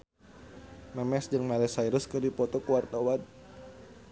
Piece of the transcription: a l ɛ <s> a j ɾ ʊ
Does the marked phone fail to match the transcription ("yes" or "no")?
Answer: no